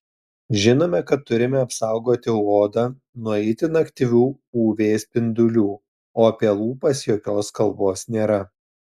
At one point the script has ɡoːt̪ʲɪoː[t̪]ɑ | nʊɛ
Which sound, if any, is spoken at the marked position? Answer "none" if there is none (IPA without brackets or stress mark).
d̪